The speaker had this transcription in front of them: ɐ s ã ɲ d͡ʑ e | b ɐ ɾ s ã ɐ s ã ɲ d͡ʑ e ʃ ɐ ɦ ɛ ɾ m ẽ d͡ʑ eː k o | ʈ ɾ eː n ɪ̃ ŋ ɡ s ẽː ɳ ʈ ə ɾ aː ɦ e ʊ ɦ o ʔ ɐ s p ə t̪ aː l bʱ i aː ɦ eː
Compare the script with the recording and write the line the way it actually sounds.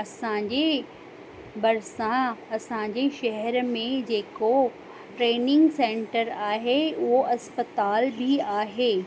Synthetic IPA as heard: ɐ s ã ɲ d͡ʑ e | b ɐ ɾ s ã ɐ s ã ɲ d͡ʑ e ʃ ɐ ɦ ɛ ɾ m ẽ d͡ʑ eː k o | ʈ ɾ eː n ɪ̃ ŋ ɡ s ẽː ɳ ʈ ə ɾ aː ɦ e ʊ ɦ o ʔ ɐ s p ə t̪ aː l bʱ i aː ɦ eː